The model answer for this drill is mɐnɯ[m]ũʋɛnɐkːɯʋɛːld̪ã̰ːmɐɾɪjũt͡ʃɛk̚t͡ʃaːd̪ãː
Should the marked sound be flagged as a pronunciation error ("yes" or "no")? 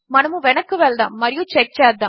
no